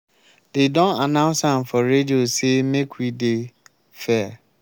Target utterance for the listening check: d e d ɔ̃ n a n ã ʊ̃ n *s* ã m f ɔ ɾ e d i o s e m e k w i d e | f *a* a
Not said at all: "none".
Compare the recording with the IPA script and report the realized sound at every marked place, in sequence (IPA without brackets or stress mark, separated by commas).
s, ɛ